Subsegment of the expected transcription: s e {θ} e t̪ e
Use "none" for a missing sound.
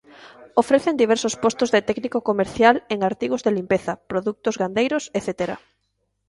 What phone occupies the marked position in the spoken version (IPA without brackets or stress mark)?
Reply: θ